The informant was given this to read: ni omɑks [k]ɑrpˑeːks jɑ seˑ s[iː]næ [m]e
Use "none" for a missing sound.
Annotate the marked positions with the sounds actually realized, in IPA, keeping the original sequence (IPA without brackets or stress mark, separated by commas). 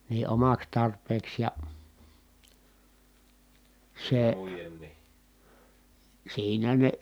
t, iː, n